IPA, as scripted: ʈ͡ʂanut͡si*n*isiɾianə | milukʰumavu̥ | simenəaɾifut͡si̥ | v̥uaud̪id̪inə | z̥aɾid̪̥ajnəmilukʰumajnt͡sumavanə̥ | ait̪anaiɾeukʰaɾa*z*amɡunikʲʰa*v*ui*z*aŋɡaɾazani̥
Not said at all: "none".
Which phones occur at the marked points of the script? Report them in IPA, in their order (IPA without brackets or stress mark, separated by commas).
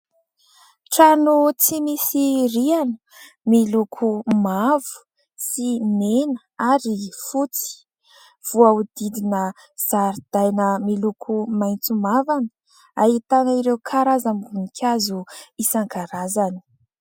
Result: m, z, z, s